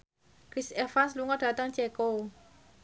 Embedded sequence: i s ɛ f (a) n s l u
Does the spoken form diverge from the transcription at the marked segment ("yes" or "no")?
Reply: no